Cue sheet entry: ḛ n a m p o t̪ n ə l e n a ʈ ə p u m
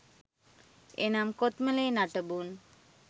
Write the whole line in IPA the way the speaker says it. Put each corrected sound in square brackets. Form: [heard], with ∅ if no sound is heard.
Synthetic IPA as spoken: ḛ n a m [k] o t̪ [m] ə l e n a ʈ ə [b] u [n]